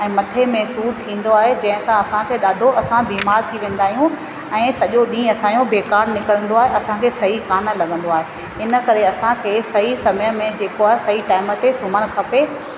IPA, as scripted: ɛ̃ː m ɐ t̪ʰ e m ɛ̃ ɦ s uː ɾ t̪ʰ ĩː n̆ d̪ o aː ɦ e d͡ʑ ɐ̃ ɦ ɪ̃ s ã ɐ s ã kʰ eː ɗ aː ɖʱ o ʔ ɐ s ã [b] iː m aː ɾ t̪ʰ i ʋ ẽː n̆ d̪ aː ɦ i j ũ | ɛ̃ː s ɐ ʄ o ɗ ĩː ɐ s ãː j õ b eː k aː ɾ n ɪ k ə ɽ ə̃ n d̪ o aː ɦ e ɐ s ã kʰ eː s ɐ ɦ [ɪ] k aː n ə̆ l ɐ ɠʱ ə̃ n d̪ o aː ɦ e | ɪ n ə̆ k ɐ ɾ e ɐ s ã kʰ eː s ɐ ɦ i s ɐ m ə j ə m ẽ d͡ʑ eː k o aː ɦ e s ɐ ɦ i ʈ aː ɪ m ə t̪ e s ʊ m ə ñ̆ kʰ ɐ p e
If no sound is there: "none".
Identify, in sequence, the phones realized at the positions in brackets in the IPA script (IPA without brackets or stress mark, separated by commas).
b, i